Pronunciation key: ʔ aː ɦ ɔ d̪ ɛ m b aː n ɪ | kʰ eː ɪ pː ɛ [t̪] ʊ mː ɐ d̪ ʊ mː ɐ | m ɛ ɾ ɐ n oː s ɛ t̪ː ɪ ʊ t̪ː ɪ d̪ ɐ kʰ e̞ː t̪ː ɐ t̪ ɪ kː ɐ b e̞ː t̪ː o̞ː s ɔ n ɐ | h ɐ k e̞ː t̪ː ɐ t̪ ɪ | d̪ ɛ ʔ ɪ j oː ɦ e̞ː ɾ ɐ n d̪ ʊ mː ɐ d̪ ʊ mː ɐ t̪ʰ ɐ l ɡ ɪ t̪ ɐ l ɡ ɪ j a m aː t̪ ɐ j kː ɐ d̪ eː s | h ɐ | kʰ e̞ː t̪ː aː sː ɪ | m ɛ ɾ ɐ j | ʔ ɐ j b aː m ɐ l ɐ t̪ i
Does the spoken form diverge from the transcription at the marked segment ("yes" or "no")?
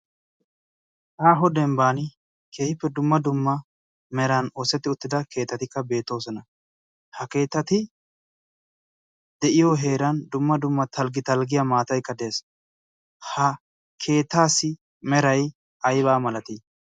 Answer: yes